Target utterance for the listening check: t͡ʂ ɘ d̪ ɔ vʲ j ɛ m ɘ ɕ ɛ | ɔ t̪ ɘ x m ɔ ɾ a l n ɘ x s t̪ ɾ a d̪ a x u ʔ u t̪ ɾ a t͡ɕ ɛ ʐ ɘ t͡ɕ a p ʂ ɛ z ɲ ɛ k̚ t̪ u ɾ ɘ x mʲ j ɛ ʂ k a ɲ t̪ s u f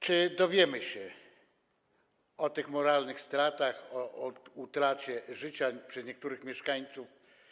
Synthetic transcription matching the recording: t͡ʂ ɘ d̪ ɔ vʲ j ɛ m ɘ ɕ ɛ | ɔ t̪ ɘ x m ɔ ɾ a l n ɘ x s t̪ ɾ a t̪ a x ɔ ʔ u t̪ ɾ a t͡ɕ ɛ ʐ ɘ t͡ɕ a p ʂ ɛ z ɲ ɛ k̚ t̪ u ɾ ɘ x mʲ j ɛ ʂ k a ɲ t̪ s u f